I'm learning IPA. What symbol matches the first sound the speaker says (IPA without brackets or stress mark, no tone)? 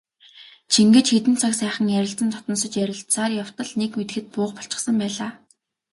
t͡ɕʰ